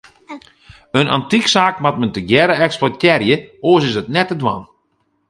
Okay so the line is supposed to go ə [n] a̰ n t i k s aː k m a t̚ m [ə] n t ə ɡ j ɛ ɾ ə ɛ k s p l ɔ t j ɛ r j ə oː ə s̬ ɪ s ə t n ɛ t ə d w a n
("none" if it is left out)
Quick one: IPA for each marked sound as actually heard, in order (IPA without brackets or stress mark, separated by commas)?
n, ə